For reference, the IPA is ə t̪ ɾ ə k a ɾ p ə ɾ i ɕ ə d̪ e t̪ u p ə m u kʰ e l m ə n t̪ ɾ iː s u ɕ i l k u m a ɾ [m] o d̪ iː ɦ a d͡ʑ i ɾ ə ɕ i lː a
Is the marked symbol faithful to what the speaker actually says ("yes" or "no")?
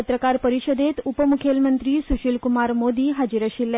yes